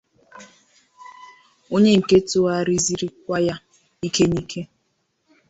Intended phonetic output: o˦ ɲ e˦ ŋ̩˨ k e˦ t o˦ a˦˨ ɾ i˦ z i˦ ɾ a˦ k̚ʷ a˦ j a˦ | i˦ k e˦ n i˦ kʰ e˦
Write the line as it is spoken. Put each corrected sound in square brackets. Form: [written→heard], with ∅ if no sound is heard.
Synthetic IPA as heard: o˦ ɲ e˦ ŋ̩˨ k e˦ t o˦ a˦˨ ɾ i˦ z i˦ ɾ [a˦→i˦] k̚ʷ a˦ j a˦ | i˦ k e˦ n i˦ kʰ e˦